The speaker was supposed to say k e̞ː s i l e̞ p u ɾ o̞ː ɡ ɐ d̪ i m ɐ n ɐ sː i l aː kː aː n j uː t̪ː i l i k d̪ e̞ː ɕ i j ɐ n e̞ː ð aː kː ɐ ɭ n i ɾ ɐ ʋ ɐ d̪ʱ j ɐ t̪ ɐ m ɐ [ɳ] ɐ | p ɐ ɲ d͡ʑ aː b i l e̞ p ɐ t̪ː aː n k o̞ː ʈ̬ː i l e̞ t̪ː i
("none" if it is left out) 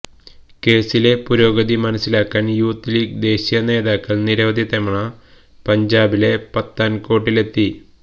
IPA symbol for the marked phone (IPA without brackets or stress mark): ɳ